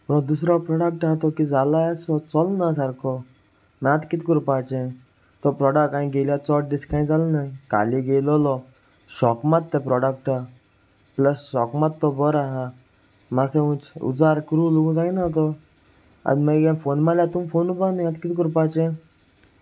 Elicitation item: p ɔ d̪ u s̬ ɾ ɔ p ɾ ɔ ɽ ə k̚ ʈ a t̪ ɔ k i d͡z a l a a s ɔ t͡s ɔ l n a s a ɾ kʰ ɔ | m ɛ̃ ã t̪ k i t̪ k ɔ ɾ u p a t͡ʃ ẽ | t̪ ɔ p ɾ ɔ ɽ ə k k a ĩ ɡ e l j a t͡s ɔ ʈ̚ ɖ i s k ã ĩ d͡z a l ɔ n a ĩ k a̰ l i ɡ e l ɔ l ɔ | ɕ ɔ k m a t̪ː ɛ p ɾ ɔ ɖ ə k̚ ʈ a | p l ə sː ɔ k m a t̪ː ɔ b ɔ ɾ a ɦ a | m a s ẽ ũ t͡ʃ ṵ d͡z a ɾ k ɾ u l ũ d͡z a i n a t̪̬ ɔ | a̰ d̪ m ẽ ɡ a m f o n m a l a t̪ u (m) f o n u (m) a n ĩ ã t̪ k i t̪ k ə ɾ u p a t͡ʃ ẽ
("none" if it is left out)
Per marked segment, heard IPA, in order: m, b

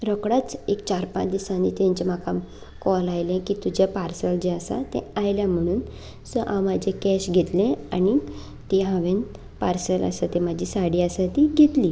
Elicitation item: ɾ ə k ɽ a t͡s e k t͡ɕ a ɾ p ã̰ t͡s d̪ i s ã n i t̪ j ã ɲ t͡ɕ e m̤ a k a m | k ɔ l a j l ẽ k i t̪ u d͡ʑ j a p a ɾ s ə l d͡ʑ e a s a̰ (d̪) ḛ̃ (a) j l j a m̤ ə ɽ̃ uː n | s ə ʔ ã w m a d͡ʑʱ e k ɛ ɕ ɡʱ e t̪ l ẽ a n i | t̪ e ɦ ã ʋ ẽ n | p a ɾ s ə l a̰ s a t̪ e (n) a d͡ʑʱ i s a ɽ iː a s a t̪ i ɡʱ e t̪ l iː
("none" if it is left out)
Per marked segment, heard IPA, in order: t̪, a, m

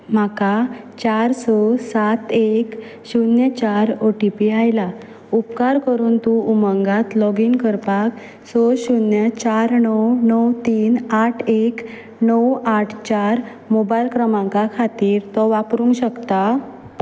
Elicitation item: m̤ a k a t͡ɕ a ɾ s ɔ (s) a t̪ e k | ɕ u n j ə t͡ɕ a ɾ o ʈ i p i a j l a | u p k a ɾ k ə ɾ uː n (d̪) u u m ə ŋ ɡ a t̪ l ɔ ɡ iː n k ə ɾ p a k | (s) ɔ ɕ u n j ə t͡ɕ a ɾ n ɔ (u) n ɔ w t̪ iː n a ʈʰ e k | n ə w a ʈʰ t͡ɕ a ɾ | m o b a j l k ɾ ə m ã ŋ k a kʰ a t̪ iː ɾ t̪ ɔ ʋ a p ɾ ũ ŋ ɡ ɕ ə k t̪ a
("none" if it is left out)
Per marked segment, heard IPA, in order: s, t̪, s, w

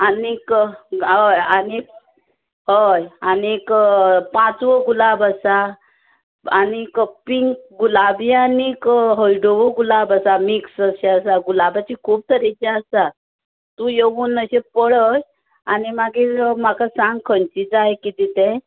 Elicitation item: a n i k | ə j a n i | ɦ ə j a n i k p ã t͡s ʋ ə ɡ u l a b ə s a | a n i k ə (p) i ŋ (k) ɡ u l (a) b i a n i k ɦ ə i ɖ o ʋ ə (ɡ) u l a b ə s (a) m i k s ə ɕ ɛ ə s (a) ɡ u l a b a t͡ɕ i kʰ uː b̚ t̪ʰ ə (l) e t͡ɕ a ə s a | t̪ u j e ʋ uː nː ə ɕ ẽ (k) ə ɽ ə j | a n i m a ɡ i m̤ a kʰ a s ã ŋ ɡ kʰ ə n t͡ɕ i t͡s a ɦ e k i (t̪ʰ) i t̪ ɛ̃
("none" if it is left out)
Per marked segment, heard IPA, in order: p, k, a, ɡ, a, a, ɾ, p, t̪

